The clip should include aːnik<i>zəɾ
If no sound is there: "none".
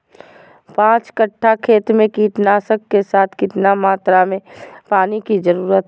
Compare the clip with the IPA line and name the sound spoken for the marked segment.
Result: i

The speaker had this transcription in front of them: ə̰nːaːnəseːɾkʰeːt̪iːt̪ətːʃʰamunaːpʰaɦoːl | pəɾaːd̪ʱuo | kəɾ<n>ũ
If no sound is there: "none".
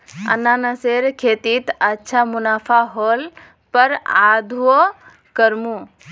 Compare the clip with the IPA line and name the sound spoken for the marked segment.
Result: m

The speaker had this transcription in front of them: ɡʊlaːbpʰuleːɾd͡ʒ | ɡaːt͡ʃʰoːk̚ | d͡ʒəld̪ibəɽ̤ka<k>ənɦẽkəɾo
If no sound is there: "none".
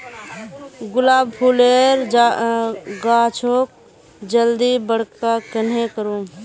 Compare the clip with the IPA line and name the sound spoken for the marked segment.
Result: k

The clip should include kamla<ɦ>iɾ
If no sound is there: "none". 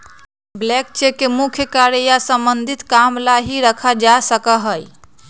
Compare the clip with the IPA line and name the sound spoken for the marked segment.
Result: ɦ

